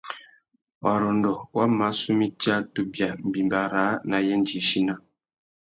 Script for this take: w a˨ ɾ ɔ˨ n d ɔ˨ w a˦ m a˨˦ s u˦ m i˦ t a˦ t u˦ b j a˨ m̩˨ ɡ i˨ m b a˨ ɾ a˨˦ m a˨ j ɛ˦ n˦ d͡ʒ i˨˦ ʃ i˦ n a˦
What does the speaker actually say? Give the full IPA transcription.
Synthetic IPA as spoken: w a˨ ɾ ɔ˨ n d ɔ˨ w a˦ m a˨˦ s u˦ m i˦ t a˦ t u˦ b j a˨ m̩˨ b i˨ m b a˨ ɾ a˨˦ n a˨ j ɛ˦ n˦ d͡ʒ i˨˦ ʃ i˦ n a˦